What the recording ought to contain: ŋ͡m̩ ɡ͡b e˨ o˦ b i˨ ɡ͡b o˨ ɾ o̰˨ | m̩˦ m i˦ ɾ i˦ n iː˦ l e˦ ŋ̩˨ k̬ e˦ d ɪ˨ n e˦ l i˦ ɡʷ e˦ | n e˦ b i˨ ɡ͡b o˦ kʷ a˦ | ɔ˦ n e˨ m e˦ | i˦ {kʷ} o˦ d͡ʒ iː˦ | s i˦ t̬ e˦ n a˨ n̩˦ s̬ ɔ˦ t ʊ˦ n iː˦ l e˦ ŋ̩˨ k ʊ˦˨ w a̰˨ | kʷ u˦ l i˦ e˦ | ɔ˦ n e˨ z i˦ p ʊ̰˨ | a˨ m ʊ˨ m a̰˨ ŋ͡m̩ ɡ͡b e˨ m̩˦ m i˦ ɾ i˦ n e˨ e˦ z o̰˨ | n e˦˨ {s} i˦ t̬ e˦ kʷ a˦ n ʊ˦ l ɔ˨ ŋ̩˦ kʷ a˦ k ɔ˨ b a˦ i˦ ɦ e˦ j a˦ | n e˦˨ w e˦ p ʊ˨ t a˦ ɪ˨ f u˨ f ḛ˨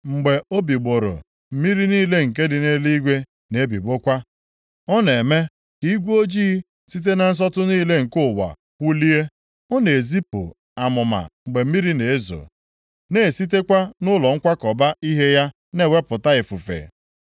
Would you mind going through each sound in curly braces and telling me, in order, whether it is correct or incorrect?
incorrect: ɡʷ, correct

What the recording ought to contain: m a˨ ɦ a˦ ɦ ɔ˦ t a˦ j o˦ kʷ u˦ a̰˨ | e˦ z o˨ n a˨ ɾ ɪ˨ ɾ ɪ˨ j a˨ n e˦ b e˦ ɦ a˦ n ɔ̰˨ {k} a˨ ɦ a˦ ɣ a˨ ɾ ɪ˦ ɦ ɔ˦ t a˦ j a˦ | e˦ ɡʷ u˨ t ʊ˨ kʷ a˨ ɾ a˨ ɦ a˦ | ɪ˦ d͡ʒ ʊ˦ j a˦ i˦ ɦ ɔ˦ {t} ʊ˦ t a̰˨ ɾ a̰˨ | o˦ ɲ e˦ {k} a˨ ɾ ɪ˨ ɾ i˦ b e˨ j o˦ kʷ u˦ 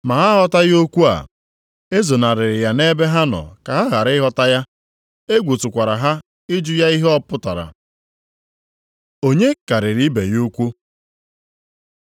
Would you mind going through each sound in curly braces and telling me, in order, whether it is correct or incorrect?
correct, incorrect: p, correct

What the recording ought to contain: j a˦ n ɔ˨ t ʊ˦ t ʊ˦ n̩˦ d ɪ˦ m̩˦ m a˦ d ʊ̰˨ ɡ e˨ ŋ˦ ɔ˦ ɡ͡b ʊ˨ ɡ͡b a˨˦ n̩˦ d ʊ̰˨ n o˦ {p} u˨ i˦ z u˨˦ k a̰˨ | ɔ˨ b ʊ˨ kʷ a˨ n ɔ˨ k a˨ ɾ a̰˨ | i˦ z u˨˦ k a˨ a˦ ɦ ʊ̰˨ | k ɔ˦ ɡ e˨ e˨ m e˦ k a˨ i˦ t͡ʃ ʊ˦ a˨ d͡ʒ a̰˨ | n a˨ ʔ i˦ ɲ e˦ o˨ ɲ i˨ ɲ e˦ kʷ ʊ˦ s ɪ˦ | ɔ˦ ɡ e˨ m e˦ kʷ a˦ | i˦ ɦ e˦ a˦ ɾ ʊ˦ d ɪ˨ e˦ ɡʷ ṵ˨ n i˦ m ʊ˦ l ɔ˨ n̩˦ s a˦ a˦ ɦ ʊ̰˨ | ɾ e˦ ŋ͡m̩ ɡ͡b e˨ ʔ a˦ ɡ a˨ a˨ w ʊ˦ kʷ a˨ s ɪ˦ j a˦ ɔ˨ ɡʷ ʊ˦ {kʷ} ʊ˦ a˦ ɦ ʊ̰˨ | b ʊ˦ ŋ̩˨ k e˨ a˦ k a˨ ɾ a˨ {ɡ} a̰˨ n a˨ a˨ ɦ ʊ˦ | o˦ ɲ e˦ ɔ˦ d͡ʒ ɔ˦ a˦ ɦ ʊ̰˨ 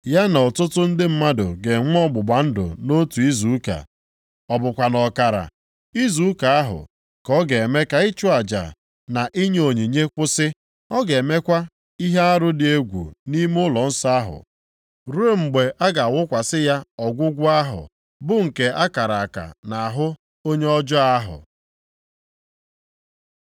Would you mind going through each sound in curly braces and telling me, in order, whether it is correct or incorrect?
incorrect: t, incorrect: ɡʷ, incorrect: k

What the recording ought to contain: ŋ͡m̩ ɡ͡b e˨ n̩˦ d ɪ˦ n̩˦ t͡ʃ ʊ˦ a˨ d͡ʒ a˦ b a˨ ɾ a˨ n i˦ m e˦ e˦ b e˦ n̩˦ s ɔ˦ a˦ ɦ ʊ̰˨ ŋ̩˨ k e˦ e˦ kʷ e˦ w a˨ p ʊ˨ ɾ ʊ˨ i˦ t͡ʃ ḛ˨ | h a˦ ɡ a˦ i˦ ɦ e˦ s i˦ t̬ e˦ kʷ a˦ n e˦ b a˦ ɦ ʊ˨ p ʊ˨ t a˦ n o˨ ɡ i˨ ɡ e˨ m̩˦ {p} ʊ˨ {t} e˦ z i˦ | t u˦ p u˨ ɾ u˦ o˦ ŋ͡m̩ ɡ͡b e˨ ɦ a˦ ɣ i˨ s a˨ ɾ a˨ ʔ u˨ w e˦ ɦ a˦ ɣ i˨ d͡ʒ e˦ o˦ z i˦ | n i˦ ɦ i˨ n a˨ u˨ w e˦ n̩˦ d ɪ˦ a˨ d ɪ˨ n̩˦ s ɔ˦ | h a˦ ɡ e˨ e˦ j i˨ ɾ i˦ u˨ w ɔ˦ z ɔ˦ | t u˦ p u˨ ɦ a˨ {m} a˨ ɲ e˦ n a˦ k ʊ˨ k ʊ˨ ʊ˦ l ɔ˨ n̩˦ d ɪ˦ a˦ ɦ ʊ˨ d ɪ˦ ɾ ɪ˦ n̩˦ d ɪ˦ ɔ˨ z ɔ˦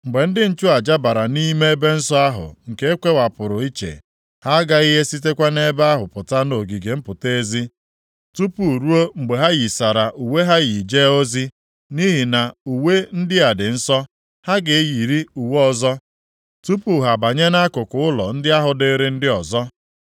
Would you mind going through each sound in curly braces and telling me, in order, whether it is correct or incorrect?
correct, correct, incorrect: b

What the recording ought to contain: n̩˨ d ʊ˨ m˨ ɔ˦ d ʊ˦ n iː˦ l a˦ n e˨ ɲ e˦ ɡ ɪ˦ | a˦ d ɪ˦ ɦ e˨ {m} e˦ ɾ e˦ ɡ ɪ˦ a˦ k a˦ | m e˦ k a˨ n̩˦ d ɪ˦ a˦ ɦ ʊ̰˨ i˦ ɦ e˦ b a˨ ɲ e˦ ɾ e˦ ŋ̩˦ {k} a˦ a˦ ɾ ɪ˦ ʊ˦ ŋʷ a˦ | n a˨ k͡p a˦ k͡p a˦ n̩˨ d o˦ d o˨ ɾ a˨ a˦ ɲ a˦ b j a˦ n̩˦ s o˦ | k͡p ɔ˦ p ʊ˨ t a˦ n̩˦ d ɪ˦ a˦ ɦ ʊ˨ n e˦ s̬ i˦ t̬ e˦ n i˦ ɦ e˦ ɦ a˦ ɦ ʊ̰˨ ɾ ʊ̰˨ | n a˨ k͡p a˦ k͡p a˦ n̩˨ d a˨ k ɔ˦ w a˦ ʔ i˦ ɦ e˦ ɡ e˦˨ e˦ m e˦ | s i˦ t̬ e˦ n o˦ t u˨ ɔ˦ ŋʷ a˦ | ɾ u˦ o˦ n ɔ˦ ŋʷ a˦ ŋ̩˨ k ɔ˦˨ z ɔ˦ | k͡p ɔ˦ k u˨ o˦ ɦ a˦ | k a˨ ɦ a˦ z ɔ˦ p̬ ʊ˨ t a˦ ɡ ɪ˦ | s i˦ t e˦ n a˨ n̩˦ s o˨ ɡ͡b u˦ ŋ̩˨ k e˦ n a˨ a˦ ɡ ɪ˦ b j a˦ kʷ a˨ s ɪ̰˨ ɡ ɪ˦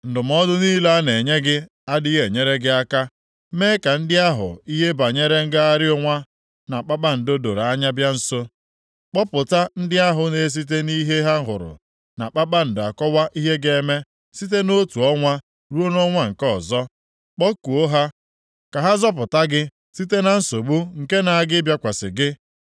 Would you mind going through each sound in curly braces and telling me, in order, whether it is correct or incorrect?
incorrect: ɲ, incorrect: ɡ

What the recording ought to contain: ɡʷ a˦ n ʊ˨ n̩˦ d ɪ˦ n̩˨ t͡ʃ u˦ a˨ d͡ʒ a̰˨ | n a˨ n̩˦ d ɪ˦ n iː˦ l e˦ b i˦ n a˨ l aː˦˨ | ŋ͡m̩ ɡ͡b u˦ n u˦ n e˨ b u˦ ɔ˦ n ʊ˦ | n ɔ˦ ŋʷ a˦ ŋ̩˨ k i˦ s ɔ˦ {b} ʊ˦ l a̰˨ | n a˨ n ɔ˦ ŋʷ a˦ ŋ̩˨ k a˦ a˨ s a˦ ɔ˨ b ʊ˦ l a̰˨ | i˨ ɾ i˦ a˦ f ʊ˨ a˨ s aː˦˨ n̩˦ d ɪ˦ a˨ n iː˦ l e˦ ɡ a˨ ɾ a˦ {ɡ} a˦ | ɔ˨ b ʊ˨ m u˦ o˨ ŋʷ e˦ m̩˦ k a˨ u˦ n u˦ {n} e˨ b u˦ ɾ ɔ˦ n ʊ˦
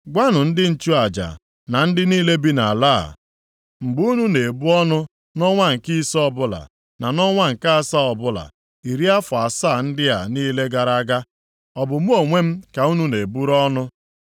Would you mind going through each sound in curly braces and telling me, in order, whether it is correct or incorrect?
correct, correct, correct

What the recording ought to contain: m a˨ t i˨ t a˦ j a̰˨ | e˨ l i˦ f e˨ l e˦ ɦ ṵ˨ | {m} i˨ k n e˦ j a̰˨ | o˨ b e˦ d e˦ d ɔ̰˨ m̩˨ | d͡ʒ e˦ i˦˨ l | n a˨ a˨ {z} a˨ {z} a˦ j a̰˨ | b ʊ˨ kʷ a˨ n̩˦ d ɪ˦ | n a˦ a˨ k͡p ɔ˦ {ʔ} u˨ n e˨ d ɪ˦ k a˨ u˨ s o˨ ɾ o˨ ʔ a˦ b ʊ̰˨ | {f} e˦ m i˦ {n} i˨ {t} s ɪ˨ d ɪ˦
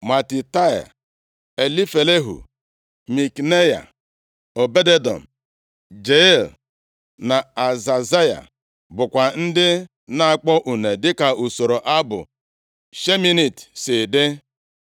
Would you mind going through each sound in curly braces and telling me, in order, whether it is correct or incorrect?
correct, correct, correct, correct, incorrect: ʃ, correct, correct

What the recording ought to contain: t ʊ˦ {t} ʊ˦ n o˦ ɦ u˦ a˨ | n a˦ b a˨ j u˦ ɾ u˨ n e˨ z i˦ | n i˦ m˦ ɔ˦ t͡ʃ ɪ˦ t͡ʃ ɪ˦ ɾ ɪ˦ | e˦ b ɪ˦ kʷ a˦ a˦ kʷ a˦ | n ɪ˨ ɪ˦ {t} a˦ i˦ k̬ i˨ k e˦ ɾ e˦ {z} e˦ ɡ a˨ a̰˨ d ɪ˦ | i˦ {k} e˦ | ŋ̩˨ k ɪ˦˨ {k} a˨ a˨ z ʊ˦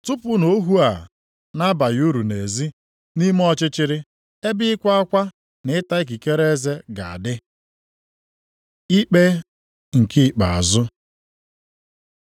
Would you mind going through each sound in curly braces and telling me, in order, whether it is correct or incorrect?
incorrect: p, correct, correct, incorrect: k͡p, incorrect: k͡p

